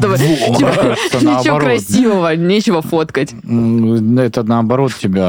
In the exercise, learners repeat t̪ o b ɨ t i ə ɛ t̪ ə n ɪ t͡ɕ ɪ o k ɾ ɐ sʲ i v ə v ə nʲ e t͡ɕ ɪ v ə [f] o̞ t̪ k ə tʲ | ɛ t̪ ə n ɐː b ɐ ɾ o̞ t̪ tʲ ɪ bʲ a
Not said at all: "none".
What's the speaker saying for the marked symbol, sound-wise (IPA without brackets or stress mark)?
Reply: f